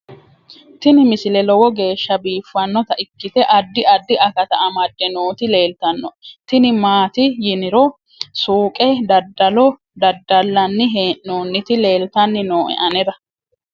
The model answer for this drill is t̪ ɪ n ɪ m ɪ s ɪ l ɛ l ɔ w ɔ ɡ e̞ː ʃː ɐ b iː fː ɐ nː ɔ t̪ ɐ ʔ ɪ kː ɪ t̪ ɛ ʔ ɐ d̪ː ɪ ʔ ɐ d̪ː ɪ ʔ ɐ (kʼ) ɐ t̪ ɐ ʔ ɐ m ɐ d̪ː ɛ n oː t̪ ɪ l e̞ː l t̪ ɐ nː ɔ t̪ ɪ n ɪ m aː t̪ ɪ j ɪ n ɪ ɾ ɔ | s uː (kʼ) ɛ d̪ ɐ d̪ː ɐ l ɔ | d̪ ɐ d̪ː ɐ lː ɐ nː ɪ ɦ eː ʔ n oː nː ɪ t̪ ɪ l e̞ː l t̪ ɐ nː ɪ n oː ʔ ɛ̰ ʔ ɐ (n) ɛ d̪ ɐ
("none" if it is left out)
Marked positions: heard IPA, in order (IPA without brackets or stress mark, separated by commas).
k, kʼ, n